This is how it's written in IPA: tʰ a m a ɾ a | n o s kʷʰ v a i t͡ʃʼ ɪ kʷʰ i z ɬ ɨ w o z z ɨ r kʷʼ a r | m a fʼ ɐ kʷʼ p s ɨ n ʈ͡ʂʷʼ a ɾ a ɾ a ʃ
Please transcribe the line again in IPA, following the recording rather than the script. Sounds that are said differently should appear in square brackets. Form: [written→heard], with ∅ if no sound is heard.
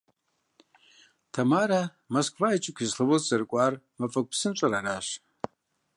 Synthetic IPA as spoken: tʰ a m a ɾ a | [n→m] o s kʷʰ v a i t͡ʃʼ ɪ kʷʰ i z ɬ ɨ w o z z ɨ r kʷʼ a r | m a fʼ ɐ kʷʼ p s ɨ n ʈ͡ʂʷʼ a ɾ a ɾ a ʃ